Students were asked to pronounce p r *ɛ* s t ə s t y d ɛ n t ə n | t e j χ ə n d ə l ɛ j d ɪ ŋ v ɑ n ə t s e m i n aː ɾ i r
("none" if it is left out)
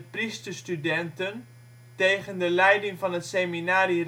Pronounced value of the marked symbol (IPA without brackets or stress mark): i